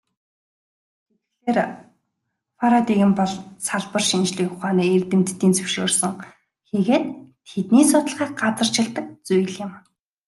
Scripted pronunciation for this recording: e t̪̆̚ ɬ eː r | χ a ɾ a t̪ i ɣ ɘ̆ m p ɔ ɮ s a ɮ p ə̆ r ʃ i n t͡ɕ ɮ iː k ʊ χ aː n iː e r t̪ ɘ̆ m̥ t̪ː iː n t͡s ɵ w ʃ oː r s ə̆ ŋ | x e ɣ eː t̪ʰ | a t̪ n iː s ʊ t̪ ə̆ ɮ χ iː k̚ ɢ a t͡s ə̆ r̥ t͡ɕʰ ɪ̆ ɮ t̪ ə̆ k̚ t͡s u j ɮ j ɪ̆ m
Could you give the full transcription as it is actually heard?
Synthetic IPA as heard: e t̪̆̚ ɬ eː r | f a ɾ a t̪ i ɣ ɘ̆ m p ɔ ɮ s a ɮ p ə̆ r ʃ i n t͡ɕ ɮ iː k ʊ χ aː n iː e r t̪ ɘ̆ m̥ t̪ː iː n t͡s ɵ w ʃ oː r s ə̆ ŋ | x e ɣ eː t̪ʰ | e t̪ n iː s ʊ t̪ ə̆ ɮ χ iː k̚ ɢ a t͡s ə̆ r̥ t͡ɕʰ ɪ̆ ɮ t̪ ə̆ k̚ t͡s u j ɮ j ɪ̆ m